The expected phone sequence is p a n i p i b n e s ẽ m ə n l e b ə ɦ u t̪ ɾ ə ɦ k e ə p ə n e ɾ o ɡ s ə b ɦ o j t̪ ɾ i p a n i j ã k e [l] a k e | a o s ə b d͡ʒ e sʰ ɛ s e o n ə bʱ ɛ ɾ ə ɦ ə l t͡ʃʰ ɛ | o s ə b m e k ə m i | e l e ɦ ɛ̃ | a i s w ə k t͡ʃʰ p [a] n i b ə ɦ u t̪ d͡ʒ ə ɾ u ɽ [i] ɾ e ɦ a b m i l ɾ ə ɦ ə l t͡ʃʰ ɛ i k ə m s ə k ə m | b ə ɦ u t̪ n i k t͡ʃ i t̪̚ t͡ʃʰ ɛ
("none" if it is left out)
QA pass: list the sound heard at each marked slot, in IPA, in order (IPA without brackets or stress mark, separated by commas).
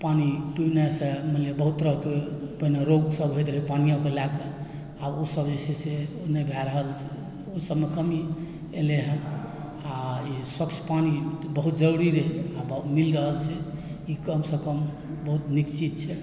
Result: l, a, i